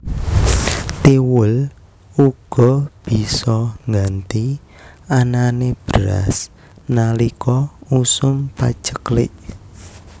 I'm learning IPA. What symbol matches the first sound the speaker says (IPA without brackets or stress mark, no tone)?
t̪